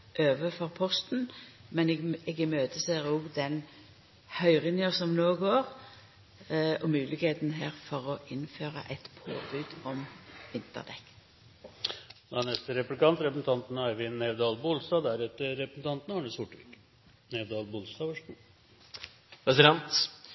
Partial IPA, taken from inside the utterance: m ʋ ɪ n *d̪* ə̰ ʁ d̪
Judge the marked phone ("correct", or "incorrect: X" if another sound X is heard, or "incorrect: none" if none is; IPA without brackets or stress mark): incorrect: t̪